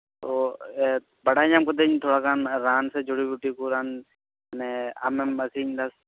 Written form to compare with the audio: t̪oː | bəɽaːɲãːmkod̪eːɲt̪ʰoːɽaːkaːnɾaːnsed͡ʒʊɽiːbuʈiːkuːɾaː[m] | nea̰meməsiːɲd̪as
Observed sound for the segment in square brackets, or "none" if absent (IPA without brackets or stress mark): n